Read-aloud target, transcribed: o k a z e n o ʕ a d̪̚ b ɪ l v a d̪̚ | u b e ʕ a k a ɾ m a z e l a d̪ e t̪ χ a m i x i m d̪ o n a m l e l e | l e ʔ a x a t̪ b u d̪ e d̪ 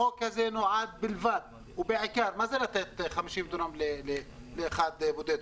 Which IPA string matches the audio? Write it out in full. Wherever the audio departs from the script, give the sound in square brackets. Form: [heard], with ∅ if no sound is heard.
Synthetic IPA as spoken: o k a z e n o ʕ a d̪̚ b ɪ l v a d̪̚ | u b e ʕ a k a ɾ m a z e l a [t̪] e t̪ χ a m i [ʃ] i m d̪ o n a m l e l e | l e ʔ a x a [d̪] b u d̪ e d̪